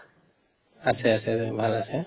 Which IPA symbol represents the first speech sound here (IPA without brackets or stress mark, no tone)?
a